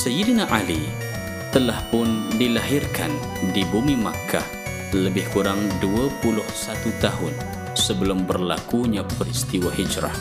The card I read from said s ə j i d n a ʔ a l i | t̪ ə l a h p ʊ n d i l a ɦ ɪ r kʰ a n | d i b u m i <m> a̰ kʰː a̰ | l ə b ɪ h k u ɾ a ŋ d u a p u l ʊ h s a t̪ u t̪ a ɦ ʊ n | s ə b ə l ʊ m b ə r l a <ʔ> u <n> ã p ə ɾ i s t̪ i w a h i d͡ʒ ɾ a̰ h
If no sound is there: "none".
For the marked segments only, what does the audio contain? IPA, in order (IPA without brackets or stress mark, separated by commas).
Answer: m, k, ɲ